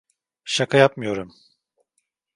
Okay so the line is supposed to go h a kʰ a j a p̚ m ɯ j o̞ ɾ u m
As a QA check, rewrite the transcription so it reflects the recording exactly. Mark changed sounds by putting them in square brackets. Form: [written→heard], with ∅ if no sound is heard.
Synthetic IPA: [h→ʃ] a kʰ a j a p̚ m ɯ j o̞ ɾ u m